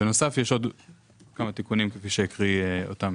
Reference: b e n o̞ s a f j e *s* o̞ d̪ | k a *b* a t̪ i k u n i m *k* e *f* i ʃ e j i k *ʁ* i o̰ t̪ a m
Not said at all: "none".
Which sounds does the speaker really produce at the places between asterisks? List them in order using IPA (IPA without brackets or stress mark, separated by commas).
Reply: ʃ, m, k, f, ʁ